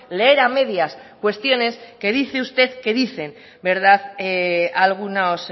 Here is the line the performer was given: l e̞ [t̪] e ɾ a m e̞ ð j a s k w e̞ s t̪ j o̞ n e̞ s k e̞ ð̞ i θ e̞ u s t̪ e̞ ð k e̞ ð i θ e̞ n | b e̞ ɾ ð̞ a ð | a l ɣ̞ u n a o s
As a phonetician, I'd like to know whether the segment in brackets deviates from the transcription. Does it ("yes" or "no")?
yes